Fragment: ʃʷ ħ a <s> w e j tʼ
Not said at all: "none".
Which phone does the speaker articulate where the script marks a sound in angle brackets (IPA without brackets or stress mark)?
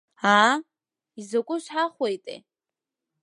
χ